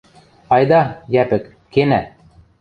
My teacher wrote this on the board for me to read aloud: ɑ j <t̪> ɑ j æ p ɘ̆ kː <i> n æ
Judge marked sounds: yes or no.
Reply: no, no

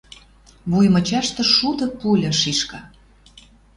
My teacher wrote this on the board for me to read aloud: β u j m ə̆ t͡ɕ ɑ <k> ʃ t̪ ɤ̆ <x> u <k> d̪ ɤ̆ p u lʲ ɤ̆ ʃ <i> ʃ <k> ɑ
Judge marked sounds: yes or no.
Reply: no, no, no, yes, yes

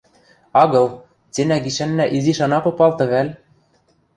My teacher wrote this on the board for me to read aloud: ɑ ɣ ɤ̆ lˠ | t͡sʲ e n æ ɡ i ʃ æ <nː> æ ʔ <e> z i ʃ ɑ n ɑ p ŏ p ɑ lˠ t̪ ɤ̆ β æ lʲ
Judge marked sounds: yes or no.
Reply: yes, no

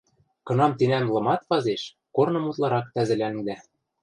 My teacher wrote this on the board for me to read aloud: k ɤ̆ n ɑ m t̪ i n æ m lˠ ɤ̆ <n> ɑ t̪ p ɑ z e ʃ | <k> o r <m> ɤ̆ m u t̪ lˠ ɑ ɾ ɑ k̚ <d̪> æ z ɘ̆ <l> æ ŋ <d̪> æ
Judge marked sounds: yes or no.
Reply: no, yes, no, no, yes, yes

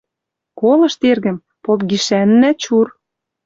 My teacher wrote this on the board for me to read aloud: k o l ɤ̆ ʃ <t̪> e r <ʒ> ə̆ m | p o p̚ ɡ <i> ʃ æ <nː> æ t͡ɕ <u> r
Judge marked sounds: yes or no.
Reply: yes, no, yes, yes, yes

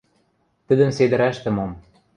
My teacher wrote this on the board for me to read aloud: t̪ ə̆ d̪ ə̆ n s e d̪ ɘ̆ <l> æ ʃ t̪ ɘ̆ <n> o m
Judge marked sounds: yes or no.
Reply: no, no

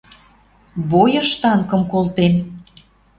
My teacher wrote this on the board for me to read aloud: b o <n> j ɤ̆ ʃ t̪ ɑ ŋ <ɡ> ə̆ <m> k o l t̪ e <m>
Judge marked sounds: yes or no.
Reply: no, no, yes, no

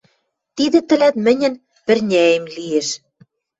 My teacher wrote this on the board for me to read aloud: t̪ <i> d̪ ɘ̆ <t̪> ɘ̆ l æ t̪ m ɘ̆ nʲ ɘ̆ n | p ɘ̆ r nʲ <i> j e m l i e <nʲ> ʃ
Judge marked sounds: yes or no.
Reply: yes, yes, no, no

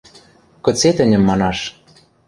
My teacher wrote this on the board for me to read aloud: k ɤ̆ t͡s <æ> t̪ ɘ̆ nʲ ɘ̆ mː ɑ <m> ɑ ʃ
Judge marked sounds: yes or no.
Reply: no, no

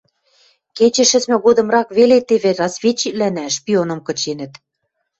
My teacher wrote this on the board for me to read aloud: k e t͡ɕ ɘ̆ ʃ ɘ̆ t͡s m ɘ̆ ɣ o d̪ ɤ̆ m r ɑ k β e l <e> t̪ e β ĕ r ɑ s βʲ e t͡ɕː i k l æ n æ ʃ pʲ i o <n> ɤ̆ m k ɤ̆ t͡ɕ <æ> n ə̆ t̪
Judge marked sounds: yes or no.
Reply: yes, yes, no

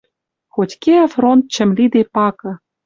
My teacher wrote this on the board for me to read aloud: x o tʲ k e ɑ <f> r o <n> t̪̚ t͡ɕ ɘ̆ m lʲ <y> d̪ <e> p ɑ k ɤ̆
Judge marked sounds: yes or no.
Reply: yes, yes, no, yes

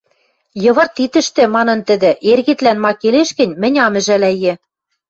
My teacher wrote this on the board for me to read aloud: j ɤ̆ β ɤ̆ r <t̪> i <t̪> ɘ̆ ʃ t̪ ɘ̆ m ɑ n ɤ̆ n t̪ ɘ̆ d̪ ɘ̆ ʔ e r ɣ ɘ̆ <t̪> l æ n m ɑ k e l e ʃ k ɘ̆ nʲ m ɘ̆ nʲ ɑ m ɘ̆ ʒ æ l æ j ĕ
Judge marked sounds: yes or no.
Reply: yes, yes, yes

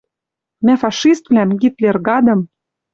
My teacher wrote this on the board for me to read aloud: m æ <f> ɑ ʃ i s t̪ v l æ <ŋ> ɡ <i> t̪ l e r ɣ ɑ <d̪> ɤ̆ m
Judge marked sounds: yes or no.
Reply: yes, no, yes, yes

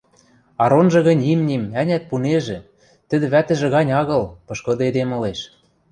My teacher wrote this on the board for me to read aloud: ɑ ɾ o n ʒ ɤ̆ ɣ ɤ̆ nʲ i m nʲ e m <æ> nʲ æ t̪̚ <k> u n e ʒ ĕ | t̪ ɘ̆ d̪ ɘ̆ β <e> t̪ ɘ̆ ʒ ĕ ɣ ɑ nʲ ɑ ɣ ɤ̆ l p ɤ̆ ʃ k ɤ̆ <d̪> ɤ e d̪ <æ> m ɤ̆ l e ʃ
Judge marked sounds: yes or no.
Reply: yes, no, no, yes, no

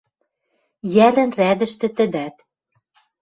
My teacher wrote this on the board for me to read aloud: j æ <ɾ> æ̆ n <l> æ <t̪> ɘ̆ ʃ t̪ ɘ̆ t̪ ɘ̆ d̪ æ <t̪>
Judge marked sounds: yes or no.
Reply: no, no, no, yes

